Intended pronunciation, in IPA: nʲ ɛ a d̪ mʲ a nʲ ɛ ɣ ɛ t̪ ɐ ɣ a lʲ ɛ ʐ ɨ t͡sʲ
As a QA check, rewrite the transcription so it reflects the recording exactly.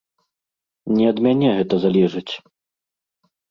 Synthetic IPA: nʲ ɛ ɐ d̪ mʲ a nʲ ɛ ɣ ɛ t̪ ɐ z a lʲ ɛ ʐ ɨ t͡sʲ